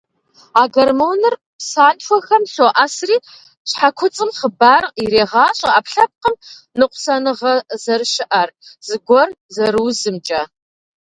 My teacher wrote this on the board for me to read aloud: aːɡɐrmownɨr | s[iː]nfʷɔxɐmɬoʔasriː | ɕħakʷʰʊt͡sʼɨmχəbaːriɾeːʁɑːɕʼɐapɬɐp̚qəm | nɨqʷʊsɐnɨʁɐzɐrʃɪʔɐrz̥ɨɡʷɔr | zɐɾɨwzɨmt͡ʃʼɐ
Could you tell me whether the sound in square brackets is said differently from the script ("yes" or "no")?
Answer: yes